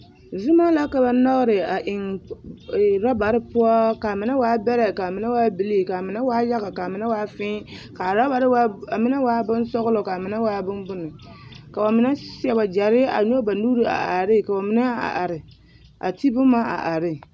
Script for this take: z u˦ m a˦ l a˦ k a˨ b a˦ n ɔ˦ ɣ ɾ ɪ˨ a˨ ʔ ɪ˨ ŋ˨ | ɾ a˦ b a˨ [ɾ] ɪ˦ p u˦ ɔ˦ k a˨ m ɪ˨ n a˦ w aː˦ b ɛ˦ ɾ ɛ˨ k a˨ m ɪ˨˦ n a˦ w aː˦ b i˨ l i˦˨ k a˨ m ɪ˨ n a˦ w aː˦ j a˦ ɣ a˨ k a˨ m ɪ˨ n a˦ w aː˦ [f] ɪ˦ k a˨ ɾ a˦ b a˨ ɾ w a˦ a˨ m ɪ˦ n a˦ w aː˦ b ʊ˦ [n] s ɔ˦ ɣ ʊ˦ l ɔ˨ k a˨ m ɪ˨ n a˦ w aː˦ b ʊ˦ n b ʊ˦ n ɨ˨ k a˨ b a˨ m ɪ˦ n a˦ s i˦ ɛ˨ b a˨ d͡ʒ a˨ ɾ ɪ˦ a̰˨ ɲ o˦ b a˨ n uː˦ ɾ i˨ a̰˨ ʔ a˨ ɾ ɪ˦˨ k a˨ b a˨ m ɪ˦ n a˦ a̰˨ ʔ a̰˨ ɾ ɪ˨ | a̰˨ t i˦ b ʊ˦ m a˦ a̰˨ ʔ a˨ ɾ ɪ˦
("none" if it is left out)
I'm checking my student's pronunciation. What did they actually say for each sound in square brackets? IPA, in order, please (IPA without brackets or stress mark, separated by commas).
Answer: ɾ, f, n